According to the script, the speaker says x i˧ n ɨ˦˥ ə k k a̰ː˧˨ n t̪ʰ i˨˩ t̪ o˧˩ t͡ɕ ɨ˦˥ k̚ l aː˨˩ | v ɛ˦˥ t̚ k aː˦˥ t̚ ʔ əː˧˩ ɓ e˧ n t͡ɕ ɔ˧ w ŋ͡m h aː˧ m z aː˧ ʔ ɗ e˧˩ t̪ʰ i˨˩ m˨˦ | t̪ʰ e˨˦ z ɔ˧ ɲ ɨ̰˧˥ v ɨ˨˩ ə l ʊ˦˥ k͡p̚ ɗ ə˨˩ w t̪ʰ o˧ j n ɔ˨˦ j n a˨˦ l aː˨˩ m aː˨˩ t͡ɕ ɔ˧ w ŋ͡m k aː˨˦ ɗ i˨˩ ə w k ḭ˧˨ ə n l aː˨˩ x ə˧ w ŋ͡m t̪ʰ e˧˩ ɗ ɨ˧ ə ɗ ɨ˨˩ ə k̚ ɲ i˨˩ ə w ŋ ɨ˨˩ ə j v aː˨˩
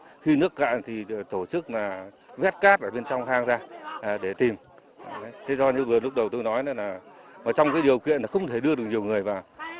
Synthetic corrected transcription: x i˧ n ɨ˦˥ ə k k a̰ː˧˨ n t̪ʰ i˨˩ t̪ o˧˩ t͡ɕ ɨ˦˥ k̚ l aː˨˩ | v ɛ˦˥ t̚ k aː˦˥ t̚ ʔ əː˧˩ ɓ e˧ n t͡ɕ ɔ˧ w ŋ͡m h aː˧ ŋ z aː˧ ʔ ɗ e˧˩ t̪ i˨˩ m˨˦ | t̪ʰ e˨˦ z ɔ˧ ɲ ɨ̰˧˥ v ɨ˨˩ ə l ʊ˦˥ k͡p̚ ɗ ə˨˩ w t̪ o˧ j n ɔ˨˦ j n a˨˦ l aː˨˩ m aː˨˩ t͡ɕ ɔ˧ w ŋ͡m k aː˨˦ ɗ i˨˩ ə w k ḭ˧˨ ə n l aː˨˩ x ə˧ w ŋ͡m t̪ʰ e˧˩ ɗ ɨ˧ ə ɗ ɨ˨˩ ə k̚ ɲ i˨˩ ə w ŋ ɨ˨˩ ə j v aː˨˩

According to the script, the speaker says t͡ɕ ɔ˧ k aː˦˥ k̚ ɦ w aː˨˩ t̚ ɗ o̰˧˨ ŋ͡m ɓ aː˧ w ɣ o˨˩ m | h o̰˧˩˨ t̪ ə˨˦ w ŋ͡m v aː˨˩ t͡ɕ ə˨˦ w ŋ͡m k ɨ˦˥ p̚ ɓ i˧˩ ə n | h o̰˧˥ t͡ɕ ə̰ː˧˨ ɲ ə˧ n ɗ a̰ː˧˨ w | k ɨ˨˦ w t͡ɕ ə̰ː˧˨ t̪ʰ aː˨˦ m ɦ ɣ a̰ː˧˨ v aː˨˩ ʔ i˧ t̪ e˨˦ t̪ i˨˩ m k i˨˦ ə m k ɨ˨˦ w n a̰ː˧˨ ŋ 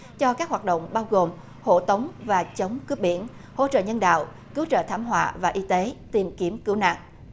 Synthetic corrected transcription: t͡ɕ ɔ˧ k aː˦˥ k̚ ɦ w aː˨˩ t̚ ɗ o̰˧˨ ŋ͡m ɓ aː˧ w ɣ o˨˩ m | h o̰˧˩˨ t̪ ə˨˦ w ŋ͡m v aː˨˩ t͡ɕ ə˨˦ w ŋ͡m k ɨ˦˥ p̚ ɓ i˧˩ ə n | h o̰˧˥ t͡ɕ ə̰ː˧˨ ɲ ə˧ n ɗ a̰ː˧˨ w | k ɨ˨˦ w t͡ɕ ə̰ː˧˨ t̪ʰ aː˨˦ m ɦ w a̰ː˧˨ v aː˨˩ ʔ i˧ t̪ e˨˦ t̪ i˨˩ m k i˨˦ ə m k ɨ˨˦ w n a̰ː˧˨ ŋ

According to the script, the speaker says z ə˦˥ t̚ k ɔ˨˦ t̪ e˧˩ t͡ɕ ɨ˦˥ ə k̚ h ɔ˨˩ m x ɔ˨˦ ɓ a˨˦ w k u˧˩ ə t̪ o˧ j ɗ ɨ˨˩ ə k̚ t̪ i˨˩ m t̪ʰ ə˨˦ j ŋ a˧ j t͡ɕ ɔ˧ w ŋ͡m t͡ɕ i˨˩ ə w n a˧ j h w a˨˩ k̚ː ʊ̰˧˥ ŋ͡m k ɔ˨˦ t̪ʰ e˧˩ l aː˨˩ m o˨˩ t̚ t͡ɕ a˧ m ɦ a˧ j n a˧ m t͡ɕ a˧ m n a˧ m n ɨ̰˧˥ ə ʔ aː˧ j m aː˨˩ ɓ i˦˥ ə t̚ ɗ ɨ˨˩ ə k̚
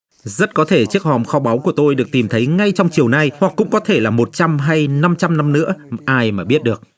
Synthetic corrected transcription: z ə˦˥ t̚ k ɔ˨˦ t̪ʰ e˧˩ t͡ɕ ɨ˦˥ ə k̚ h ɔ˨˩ m x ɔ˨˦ ɓ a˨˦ w k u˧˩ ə t̪ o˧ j ɗ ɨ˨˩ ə k̚ t̪ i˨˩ m t̪ʰ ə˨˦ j ŋ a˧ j t͡ɕ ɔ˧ w ŋ͡m t͡ɕ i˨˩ ə w n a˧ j h w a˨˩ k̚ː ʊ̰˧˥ ŋ͡m k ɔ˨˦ t̪ʰ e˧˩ l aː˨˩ m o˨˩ t̚ t͡ɕ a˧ m ɦ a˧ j n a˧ m t͡ɕ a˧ m n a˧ m n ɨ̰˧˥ ə ʔ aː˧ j m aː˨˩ ɓ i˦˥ ə t̚ ɗ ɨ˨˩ ə k̚

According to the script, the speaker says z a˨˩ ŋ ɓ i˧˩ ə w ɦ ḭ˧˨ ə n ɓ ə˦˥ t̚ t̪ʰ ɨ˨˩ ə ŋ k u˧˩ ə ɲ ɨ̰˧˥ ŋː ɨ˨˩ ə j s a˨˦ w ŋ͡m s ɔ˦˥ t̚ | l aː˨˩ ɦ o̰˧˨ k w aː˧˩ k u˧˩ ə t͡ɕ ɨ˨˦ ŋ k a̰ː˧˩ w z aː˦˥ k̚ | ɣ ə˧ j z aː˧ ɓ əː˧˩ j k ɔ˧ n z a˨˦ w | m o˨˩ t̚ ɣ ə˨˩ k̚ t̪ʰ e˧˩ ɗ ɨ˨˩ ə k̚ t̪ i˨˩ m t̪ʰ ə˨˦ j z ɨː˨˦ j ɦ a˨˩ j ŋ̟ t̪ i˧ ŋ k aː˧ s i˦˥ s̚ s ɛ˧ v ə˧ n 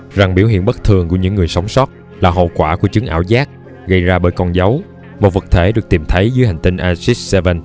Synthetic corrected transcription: z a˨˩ ŋ ɓ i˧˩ ə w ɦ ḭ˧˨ ə n ɓ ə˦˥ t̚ t̪ʰ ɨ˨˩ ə ŋ k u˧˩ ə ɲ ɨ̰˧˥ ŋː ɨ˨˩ ə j s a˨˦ w ŋ͡m s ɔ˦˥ t̚ | l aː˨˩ ɦ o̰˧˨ k w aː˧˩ k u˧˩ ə t͡ɕ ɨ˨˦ ŋ ʔ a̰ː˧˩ w z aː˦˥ k̚ | ɣ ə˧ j z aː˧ ɓ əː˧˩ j k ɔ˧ n z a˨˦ w | m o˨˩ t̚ v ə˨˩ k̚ t̪ʰ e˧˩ ɗ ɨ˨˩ ə k̚ t̪ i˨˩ m t̪ʰ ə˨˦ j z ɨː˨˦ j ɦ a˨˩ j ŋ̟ t̪ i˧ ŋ ʔ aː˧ s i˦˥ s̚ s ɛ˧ v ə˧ n

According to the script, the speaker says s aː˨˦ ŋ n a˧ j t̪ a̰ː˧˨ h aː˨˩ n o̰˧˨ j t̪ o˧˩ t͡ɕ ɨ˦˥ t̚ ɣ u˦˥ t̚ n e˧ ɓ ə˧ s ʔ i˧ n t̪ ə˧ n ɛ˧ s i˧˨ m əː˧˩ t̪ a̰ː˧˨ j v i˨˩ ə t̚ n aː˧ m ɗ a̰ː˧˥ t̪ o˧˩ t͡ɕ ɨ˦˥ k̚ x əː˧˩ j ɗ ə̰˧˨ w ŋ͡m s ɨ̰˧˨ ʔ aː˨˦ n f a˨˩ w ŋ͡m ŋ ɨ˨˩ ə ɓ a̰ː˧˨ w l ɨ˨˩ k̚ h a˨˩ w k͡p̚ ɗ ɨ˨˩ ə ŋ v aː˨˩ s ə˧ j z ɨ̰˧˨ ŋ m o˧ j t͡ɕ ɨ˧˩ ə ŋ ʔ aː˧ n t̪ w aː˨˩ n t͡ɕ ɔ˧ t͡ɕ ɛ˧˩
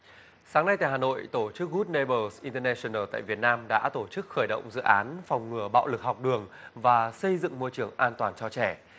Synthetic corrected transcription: s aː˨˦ ŋ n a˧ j t̪ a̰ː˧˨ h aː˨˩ n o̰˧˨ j t̪ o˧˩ t͡ɕ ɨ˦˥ k̚ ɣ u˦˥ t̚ n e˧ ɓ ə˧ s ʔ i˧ n t̪ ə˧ n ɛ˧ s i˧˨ n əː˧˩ t̪ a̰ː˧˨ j v i˨˩ ə t̚ n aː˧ m ɗ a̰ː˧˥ t̪ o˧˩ t͡ɕ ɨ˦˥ k̚ x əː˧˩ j ɗ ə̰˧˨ w ŋ͡m z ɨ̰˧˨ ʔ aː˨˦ n f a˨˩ w ŋ͡m ŋ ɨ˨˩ ə ɓ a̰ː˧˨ w l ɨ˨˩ k̚ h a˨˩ w k͡p̚ ɗ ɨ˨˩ ə ŋ v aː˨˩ s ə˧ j z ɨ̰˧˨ ŋ m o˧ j t͡ɕ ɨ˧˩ ə ŋ ʔ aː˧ n t̪ w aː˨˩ n t͡ɕ ɔ˧ t͡ɕ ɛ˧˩

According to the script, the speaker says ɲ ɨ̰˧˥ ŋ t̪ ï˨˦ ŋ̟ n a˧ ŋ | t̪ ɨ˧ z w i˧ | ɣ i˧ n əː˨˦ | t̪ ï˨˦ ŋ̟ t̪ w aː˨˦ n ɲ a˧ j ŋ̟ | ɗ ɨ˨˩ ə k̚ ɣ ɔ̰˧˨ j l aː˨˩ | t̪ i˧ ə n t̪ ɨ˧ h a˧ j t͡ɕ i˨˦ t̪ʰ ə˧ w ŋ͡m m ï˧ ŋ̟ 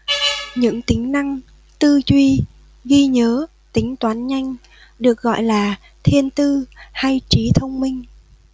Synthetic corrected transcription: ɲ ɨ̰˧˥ ŋ t̪ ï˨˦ ŋ̟ n a˧ ŋ | t̪ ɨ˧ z w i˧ | ɣ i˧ ɲ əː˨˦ | t̪ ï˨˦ ŋ̟ t̪ w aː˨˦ n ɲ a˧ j ŋ̟ | ɗ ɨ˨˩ ə k̚ ɣ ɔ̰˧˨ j l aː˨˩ | t̪ʰ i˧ ə n t̪ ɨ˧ h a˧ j t͡ɕ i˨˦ t̪ʰ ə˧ w ŋ͡m m ï˧ ŋ̟

